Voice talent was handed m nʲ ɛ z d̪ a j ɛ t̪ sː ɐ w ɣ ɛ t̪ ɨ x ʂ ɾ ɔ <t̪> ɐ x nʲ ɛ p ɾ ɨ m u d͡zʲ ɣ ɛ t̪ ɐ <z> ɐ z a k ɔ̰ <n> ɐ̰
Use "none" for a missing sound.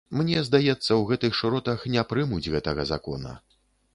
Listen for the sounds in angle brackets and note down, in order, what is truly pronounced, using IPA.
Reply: t̪, ɣ, n

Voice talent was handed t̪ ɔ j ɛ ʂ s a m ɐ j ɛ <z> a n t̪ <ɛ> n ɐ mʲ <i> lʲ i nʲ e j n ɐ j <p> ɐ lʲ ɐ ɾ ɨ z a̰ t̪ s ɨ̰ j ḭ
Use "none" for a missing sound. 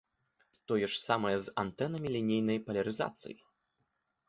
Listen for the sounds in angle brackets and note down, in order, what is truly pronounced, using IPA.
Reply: z, ɛ, i, p

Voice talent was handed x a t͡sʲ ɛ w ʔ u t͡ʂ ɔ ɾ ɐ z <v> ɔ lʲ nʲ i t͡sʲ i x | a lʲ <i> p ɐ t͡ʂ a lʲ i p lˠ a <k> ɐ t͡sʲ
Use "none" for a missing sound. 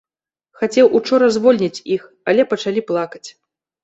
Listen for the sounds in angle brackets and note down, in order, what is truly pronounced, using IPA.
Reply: v, ɛ, k

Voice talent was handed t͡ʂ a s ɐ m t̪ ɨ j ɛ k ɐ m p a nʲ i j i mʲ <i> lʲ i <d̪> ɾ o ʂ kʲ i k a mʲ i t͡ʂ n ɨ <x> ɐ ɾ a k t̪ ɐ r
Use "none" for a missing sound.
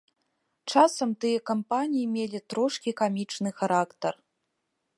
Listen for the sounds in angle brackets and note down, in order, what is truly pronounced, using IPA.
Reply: e, t̪, x

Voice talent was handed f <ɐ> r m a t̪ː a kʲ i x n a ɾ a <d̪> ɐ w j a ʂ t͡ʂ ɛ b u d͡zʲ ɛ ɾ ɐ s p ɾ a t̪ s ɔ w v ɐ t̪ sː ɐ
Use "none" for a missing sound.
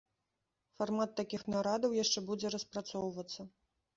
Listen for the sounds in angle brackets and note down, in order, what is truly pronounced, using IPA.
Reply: a, d̪

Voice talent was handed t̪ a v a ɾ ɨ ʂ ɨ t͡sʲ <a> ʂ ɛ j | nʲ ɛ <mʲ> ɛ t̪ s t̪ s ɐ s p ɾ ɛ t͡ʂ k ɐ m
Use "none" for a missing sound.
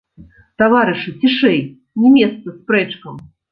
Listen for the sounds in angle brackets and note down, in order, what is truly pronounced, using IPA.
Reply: i, mʲ

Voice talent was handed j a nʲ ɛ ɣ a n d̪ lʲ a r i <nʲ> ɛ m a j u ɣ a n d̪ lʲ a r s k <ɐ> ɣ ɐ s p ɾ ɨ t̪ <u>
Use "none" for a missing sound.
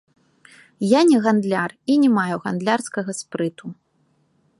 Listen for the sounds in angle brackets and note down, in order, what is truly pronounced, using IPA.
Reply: nʲ, ɐ, u

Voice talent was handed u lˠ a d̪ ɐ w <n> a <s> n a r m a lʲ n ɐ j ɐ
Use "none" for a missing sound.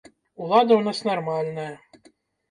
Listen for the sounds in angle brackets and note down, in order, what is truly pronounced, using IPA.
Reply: n, s

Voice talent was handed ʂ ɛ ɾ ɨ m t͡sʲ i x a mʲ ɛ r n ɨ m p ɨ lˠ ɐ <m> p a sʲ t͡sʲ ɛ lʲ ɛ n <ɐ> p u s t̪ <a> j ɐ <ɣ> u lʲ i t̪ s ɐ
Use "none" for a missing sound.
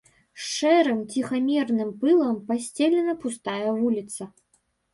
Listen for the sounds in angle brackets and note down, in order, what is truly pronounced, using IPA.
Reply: m, ɐ, a, v

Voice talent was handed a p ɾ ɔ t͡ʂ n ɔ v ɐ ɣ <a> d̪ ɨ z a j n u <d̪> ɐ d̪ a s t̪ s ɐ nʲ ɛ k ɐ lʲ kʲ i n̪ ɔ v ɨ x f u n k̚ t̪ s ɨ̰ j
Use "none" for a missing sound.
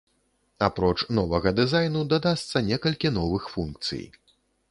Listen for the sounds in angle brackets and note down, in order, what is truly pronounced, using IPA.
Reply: ɐ, d̪

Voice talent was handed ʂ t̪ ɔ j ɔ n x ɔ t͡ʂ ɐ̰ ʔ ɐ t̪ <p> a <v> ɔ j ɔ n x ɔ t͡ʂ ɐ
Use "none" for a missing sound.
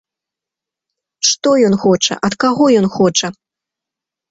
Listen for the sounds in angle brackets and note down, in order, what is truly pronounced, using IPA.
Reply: k, ɣ

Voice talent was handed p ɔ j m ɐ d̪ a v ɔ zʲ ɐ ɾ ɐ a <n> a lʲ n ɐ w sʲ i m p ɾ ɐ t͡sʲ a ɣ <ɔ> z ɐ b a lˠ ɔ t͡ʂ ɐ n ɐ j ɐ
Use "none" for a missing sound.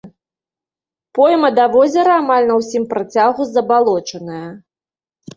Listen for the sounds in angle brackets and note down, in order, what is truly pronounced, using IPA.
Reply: m, u

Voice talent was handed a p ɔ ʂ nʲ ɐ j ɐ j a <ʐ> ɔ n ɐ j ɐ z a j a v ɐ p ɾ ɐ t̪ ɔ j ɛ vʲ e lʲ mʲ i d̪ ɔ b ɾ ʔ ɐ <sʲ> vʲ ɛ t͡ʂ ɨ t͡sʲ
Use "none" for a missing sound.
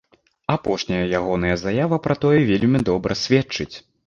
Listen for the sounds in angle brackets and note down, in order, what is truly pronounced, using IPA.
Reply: ɣ, sʲ

